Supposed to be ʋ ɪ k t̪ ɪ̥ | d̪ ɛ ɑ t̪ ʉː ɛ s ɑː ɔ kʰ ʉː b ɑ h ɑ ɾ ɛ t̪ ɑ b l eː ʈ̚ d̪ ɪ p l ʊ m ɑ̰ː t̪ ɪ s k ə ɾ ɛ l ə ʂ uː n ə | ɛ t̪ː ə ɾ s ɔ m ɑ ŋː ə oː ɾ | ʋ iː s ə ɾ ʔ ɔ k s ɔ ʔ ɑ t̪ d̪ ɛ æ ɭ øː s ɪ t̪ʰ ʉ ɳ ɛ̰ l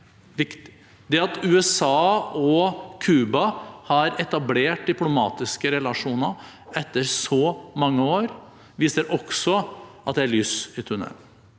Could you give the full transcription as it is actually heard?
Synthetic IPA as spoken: ʋ ɪ k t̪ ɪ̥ | d̪ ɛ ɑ t̪ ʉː ɛ s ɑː ɔ kʰ ʉː b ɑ h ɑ ɾ ɛ t̪ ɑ b l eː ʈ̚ d̪ ɪ p l ʊ m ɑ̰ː t̪ ɪ s k ə ɾ ɛ l ɑ ʂ uː n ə | ɛ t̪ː ə ɾ s ɔ m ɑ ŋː ə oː ɾ | ʋ iː s ə ɾ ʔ ɔ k s ɔ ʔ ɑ t̪ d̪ ɛ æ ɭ yː s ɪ t̪ʰ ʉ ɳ ɛ̰ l